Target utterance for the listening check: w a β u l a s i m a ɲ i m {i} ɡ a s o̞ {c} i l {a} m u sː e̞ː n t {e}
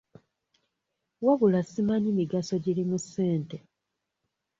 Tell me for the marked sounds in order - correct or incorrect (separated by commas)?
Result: correct, incorrect, incorrect, correct